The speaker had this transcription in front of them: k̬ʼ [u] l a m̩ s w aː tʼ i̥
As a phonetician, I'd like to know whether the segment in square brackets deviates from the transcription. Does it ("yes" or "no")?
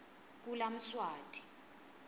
no